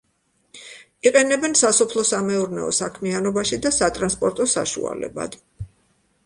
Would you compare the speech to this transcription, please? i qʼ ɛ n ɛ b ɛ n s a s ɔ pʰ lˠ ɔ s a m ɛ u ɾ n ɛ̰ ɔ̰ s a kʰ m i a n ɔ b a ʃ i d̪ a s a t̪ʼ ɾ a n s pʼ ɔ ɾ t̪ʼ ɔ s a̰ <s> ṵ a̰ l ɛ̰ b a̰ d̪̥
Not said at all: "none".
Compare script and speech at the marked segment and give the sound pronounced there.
ʃ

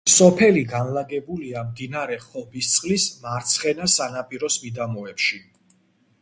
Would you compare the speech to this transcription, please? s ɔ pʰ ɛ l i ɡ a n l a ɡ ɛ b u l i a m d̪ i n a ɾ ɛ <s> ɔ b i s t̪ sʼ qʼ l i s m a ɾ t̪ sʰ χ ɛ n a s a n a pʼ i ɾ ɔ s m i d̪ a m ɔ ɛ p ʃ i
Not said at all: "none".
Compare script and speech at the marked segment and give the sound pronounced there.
χ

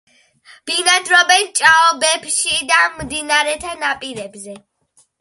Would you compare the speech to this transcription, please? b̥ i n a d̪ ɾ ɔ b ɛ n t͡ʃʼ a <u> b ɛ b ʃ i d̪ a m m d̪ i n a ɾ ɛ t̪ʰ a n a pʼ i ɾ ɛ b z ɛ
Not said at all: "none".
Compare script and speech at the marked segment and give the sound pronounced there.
ɔ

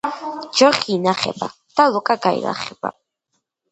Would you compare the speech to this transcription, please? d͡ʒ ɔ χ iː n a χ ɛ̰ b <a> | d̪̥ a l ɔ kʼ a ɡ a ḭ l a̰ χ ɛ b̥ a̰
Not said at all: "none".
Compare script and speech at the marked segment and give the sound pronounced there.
a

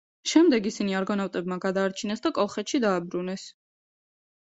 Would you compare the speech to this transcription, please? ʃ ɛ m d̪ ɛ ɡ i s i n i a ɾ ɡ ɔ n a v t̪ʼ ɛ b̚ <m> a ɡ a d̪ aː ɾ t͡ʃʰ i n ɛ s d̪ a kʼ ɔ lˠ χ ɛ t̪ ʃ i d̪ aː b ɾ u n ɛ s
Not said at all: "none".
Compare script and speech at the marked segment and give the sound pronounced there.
m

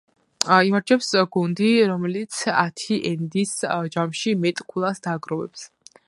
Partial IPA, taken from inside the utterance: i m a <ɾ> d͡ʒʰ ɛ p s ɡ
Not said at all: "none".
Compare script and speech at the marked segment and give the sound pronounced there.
ɾ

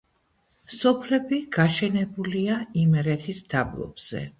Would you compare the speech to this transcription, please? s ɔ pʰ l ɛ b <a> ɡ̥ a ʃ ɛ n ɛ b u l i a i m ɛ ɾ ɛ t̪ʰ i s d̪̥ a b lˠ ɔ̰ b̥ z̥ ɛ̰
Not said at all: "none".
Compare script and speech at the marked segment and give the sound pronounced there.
i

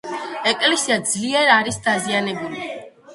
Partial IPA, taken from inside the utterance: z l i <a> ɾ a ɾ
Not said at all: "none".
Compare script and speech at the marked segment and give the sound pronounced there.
ɛ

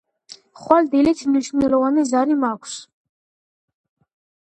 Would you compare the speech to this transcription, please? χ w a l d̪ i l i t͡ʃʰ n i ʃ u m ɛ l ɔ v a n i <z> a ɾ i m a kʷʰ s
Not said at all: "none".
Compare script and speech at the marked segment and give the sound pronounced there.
z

